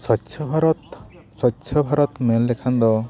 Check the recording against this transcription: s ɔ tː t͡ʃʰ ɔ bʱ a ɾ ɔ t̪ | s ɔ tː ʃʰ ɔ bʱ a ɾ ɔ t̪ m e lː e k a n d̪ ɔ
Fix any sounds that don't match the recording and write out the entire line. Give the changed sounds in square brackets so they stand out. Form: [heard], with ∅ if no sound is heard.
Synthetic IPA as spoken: s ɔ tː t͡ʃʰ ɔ bʱ a ɾ ɔ t̪ | s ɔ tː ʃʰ ɔ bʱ a ɾ ɔ t̪ m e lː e [kʰ] a n d̪ ɔ